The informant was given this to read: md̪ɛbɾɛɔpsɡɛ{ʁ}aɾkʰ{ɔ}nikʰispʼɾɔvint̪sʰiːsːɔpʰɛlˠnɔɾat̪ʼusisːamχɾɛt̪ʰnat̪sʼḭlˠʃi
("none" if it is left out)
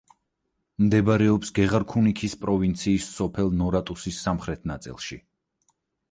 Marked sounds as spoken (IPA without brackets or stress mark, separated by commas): ʁ, u